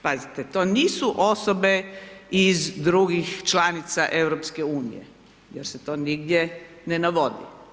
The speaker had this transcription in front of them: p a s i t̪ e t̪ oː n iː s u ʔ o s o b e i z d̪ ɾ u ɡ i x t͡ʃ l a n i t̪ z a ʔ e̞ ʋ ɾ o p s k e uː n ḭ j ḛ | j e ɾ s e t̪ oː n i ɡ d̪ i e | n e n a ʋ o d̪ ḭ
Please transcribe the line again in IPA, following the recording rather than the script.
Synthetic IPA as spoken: p a z i t̪ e t̪ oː n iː s u ʔ o s o b e i z d̪ ɾ u ɡ i x t͡ʃ l a n i t̪ s a ʔ e̞ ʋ ɾ o p s k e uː n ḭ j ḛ | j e ɾ s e t̪ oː n i ɡ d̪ j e | n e n a ʋ o d̪ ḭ